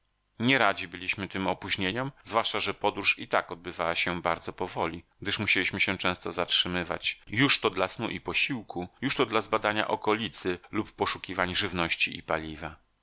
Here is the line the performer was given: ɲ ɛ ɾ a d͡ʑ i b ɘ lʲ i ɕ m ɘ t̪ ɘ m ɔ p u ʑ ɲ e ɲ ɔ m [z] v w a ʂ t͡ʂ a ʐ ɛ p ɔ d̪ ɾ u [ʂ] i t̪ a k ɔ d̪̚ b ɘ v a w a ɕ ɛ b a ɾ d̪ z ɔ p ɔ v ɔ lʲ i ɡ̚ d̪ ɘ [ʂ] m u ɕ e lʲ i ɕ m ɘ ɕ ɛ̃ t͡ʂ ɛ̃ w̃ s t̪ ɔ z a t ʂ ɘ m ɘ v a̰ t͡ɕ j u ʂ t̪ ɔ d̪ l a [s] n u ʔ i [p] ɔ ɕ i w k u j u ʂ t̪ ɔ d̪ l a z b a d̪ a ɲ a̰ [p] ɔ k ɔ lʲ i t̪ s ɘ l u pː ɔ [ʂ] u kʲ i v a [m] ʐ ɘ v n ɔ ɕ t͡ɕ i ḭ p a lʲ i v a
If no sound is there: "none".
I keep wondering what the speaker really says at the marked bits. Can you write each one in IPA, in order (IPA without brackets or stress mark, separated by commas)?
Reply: z, ʂ, ʂ, s, p, ʔ, ʂ, ɲ